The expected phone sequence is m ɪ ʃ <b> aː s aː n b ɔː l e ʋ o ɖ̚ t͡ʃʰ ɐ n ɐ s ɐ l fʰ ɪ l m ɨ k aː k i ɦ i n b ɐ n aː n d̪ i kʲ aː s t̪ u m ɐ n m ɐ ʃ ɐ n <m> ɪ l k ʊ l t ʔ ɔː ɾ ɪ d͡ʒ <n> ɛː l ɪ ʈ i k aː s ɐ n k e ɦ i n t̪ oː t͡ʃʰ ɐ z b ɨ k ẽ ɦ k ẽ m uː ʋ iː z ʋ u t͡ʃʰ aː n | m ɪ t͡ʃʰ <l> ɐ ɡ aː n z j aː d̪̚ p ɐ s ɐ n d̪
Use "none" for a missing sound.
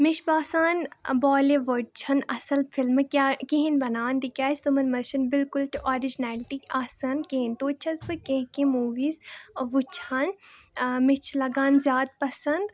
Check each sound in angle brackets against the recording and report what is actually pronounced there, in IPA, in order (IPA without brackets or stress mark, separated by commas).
b, b, n, l